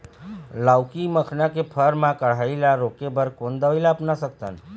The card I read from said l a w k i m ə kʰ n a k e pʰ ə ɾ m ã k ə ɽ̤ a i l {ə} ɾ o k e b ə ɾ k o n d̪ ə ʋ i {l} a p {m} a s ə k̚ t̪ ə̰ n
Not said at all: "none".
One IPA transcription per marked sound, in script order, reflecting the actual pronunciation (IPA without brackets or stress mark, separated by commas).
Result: a, l, n